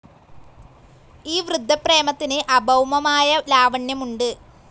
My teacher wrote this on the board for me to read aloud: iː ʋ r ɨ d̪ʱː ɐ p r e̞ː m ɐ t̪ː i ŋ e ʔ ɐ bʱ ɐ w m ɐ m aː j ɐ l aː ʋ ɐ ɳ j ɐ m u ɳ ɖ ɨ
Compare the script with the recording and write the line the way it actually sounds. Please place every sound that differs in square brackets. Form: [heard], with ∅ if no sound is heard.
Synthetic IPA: iː ʋ r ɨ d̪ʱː ɐ p r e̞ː m ɐ t̪ː i [n] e ʔ ɐ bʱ ɐ w m ɐ m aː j ɐ l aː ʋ ɐ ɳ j ɐ m u ɳ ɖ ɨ